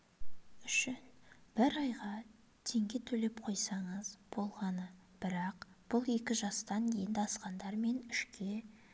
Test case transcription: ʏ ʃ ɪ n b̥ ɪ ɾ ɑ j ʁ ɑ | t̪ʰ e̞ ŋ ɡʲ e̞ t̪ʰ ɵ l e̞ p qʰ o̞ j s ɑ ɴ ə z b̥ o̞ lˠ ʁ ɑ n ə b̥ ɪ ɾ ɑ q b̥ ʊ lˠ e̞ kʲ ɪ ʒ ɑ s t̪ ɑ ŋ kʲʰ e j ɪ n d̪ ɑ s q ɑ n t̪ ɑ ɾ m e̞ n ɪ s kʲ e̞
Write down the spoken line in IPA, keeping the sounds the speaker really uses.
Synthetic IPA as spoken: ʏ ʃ ɪ n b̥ ɪ ɾ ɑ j ʁ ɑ | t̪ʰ e̞ ŋ ɡʲ e̞ t̪ʰ ɵ l e̞ p qʰ o̞ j s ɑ ɴ ə z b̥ o̞ lˠ ʁ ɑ n ə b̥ ɪ ɾ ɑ q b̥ ʊ lˠ e̞ kʲ ɪ ʒ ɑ s t̪ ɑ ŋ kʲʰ e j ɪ n d̪ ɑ s q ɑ n d̪ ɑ ɾ m e̞ n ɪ ʃ kʲ e̞